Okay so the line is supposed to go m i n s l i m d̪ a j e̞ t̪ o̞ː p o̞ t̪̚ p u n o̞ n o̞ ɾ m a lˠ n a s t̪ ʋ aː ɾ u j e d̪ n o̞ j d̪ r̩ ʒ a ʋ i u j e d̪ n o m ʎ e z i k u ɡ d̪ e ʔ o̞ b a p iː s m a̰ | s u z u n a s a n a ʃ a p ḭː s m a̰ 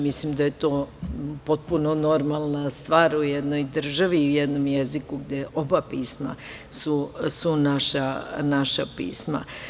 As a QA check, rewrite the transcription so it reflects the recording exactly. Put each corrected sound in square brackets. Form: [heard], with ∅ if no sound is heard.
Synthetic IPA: m i [∅] s l i m d̪ a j e̞ t̪ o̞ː p o̞ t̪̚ p u n o̞ n o̞ ɾ m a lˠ n a s t̪ ʋ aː ɾ u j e d̪ n o̞ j d̪ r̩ ʒ a ʋ i u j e d̪ n o m [j] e z i k u ɡ d̪ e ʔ o̞ b a p iː s m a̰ | s u [s] u n a [ʃ] a n a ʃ a p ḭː s m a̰

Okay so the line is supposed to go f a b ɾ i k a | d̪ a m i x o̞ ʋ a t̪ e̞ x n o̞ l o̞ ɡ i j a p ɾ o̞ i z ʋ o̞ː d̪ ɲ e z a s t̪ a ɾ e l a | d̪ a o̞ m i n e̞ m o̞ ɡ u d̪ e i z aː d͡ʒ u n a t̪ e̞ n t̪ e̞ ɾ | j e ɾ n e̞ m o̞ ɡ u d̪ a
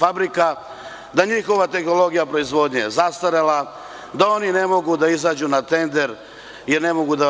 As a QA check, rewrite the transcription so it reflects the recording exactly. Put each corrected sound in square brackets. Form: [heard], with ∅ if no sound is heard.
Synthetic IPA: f a b ɾ i k a | d̪ a [ɲ] i x o̞ ʋ a t̪ e̞ x n o̞ l o̞ ɡ i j a p ɾ o̞ i z ʋ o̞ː d̪ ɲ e z a s t̪ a ɾ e l a | d̪ a o̞ [n] i n e̞ m o̞ ɡ u d̪ [a] i z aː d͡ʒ u n a t̪ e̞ n [d̪] e̞ ɾ | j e ɾ n e̞ m o̞ ɡ u d̪ a

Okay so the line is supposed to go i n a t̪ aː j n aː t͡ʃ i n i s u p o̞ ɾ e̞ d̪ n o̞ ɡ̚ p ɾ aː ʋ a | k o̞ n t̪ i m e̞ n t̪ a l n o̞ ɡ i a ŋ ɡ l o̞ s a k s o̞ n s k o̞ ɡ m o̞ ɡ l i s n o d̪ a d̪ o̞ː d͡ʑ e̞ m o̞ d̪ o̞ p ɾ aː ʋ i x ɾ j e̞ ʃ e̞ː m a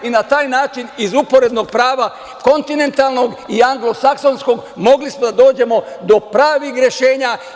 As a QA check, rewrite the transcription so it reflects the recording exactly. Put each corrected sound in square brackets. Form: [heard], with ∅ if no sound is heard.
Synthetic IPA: i n a t̪ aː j n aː t͡ʃ i n i [z] u p o̞ ɾ e̞ d̪ n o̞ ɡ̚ p ɾ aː ʋ a | k o̞ n t̪ i [n] e̞ n t̪ a l n o̞ ɡ i a ŋ ɡ l o̞ s a k s o̞ n s k o̞ ɡ m o̞ ɡ l i s [m] o d̪ a d̪ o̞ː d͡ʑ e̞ m o̞ d̪ o̞ p ɾ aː ʋ i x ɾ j e̞ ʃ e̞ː [ɲ] a

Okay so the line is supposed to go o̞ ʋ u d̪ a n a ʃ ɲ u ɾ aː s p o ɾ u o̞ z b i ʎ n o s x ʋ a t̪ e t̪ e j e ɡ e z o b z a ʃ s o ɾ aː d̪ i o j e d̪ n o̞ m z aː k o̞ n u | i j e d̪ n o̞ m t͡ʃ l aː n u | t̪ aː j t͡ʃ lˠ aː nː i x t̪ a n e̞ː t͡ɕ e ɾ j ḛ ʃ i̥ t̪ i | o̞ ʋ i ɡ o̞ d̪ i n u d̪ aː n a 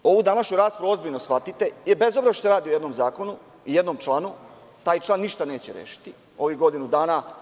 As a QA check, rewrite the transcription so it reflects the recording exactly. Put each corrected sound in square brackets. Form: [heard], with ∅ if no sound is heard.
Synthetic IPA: o̞ ʋ u d̪ a n a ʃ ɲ u ɾ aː s p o ɾ u o̞ z b i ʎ n o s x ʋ a t̪ [i] t̪ e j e [b] e z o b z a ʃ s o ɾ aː d̪ i o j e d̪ n o̞ m z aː k o̞ n u | i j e d̪ n o̞ m t͡ʃ l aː n u | t̪ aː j t͡ʃ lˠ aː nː i [ʃ] t̪ a n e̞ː t͡ɕ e ɾ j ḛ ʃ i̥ t̪ i | o̞ ʋ i ɡ o̞ d̪ i n u d̪ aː n a

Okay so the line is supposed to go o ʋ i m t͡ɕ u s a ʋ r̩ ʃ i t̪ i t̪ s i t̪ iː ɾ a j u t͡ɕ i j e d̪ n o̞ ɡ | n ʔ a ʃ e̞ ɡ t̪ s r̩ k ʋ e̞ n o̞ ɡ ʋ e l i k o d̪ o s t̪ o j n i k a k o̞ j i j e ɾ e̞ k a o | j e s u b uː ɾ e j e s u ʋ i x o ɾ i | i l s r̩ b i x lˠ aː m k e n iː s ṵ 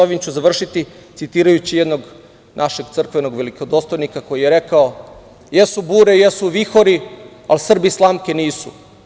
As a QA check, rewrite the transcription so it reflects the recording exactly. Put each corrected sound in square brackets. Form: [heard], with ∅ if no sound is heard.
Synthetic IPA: o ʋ i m t͡ɕ u [z] a ʋ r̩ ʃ i t̪ i t̪ s i t̪ iː ɾ a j u t͡ɕ i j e d̪ n o̞ ɡ | n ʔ a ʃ e̞ ɡ t̪ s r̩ k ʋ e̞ n o̞ ɡ ʋ e l i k o d̪ o s t̪ o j n i k a k o̞ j i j e ɾ e̞ k a o | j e s u b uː ɾ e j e s u ʋ i x o ɾ i | [a] l s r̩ b i [s] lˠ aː m k e n iː s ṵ

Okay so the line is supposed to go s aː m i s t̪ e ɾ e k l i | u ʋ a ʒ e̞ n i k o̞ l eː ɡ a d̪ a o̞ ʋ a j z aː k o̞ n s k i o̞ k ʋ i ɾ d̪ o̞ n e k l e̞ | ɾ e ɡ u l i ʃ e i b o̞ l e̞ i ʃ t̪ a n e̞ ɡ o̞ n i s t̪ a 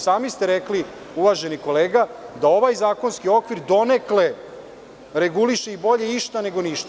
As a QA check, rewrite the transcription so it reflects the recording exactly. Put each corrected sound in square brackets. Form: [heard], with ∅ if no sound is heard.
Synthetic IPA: s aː m i s t̪ e ɾ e k l i | u ʋ a ʒ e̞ n i k o̞ l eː ɡ a d̪ a o̞ ʋ a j z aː k o̞ n s k i o̞ k ʋ i ɾ d̪ o̞ n e k l e̞ | ɾ e ɡ u l i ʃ e i b o̞ [ʎ] e̞ i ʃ t̪ a n e̞ ɡ o̞ n i [ʃ] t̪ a

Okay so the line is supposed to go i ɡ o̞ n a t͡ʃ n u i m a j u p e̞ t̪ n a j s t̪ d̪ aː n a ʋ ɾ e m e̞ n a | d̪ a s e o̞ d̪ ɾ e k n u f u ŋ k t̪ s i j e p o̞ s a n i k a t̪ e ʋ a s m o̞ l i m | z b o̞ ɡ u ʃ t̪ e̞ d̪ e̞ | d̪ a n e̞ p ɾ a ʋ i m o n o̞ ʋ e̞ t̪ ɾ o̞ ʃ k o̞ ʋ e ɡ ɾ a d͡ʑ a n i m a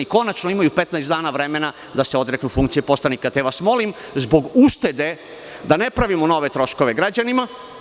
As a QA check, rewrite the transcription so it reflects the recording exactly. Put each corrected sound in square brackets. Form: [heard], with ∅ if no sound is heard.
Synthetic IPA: i [k] o̞ n a t͡ʃ n [o] i m a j u p e̞ t̪ n a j s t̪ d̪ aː n a ʋ ɾ e m e̞ n a | d̪ a s e o̞ d̪ ɾ e k n u f u ŋ k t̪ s i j e p o̞ s a n i k a t̪ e ʋ a s m o̞ l i m | z b o̞ ɡ u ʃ t̪ e̞ d̪ e̞ | d̪ a n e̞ p ɾ a ʋ i m o n o̞ ʋ e̞ t̪ ɾ o̞ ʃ k o̞ ʋ e ɡ ɾ a d͡ʑ a n i m a

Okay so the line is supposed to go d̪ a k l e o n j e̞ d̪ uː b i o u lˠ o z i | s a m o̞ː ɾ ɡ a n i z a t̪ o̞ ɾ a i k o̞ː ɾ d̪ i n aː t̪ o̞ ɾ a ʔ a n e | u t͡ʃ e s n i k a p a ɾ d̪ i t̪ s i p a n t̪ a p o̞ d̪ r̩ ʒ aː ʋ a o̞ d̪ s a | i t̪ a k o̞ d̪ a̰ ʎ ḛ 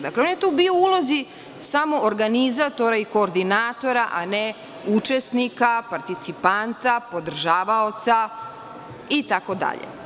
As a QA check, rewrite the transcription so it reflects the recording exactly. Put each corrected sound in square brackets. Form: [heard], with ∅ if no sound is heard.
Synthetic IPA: d̪ a k l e o n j e̞ [t̪] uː b i o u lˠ o z i | s a m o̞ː ɾ ɡ a n i z a t̪ o̞ ɾ a i k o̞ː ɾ d̪ i n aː t̪ o̞ ɾ a ʔ a n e | u t͡ʃ e s n i k a p a ɾ [t̪] i t̪ s i p a n t̪ a p o̞ d̪ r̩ ʒ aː ʋ a o̞ [t̪] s a | i t̪ a k o̞ d̪ a̰ ʎ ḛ

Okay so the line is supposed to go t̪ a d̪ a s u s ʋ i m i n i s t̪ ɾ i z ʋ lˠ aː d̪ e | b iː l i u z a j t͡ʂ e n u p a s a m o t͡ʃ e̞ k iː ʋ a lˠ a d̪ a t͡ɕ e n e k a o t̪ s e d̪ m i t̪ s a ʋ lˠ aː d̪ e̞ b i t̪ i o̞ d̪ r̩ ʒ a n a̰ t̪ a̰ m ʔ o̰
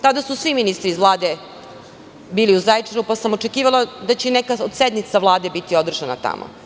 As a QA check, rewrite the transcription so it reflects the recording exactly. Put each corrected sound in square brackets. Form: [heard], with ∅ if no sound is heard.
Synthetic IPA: t̪ a d̪ a s u s ʋ i m i n i s t̪ ɾ i z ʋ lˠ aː d̪ e | b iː l i u z a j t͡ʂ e n u p a s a m o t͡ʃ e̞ k iː ʋ a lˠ a d̪ a t͡ɕ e n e k a o [d̪] s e d̪ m i t̪ s a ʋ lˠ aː d̪ e̞ b i t̪ i o̞ d̪ r̩ ʒ a n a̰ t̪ a̰ m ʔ o̰

